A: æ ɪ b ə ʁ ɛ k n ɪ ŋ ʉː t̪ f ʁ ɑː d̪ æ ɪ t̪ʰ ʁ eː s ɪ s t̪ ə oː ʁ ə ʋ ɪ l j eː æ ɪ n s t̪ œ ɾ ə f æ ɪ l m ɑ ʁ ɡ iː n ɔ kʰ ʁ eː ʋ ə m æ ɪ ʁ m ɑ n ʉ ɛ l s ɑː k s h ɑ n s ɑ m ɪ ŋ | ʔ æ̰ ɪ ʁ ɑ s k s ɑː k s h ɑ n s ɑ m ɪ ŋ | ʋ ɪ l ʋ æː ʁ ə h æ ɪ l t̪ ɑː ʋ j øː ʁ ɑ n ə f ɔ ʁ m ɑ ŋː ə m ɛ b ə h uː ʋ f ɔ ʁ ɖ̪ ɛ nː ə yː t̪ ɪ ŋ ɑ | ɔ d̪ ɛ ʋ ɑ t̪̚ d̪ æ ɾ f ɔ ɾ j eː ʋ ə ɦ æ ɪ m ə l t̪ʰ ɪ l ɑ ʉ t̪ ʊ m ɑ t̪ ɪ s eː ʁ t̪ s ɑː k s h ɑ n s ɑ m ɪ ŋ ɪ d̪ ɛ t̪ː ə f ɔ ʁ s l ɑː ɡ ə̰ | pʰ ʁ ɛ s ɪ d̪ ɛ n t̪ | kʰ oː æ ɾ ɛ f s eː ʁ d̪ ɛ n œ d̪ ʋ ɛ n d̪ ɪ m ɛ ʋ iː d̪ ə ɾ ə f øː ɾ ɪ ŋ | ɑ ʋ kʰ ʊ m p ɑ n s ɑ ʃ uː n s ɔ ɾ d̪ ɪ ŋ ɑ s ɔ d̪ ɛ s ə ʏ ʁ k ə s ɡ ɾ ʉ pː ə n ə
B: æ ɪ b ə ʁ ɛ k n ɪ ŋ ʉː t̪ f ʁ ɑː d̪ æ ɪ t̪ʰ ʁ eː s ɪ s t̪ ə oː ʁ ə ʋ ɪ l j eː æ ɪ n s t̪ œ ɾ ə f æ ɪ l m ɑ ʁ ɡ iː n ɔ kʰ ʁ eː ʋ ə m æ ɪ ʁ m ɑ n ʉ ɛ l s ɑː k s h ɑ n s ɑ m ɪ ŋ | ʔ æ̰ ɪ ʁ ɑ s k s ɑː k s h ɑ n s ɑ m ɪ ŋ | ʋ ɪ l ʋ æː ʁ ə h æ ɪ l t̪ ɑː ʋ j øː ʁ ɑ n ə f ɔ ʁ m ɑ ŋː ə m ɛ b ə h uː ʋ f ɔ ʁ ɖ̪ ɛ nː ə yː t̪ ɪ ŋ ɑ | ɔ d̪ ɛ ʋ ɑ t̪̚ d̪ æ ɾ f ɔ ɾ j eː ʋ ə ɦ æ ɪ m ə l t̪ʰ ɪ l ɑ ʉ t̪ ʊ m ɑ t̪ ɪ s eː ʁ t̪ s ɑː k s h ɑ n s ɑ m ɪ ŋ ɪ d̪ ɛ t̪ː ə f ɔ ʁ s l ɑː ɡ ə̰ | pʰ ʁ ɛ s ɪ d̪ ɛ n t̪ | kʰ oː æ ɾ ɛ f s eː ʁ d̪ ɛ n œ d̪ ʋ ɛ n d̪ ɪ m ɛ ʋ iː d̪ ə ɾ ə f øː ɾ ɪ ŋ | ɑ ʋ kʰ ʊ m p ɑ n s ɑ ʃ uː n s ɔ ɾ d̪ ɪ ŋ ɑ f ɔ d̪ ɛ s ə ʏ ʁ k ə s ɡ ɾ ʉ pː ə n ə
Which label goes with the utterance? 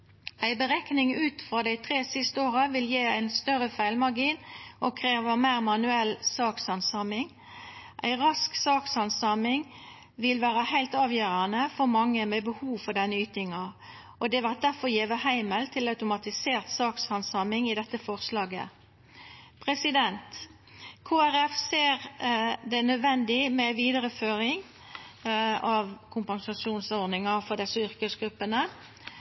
B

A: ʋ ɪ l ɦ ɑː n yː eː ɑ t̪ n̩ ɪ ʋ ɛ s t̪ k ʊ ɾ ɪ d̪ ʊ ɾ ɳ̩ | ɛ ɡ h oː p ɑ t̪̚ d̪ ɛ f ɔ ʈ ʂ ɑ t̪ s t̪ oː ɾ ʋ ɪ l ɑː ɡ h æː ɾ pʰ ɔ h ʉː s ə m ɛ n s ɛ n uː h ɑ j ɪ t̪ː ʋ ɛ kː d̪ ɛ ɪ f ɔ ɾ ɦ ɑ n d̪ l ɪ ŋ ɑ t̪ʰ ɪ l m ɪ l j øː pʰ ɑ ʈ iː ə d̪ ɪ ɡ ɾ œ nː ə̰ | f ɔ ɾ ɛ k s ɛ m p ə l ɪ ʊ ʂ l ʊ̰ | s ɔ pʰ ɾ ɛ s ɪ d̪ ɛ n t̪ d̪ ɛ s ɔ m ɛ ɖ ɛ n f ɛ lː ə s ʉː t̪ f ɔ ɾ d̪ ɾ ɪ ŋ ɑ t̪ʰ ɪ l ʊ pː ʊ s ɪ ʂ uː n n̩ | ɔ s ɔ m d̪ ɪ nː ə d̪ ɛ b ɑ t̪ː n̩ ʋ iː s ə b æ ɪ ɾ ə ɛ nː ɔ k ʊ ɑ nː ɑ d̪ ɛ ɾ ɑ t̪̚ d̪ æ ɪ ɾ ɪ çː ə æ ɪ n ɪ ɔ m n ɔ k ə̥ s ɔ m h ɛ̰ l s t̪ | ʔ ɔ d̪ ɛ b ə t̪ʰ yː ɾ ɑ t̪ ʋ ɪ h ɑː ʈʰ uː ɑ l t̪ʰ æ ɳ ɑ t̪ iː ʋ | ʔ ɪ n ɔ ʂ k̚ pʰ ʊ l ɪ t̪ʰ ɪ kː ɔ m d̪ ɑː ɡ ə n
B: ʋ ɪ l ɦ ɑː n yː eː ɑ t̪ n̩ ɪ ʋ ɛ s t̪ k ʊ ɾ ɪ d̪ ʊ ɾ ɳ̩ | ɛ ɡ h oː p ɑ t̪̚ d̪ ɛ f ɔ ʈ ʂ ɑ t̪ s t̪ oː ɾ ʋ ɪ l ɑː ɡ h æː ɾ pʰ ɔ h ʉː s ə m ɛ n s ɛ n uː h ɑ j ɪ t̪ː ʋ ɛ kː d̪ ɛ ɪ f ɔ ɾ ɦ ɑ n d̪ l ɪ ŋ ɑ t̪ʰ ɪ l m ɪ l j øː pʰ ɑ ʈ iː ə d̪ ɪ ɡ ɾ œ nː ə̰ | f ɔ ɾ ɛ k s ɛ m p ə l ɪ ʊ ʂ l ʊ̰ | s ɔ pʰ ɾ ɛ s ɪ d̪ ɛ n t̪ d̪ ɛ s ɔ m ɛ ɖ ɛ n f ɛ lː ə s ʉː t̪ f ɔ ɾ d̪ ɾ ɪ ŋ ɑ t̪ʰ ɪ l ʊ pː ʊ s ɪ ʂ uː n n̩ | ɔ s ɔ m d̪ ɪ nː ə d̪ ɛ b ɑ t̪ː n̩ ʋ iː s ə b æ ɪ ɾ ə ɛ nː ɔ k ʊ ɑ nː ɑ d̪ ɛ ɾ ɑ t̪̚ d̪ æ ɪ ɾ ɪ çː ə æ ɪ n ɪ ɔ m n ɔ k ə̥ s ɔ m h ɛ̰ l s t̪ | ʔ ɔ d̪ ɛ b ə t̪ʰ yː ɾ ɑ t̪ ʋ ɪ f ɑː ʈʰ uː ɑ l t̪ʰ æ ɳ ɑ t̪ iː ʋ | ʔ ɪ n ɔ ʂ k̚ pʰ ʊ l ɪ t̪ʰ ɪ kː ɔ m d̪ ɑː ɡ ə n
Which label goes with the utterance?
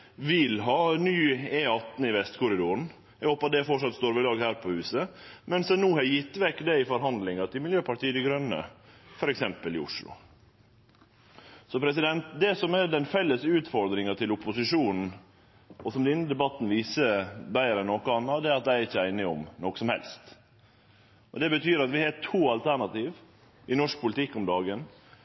A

